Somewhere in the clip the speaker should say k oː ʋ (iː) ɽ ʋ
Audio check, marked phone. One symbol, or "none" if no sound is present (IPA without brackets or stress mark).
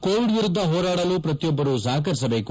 i